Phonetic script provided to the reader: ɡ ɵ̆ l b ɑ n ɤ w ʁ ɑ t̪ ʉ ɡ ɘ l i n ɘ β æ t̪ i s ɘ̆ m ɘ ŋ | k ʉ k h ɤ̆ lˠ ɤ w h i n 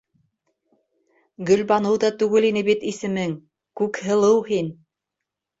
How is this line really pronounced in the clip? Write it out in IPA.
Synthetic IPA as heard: ɡ ɵ̆ l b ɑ n ɤ w ð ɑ t̪ ʉ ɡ ɘ l i n ɘ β i t̪ i s ɘ̆ m ɘ ŋ | k ʉ k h ɤ̆ lˠ ɤ w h i n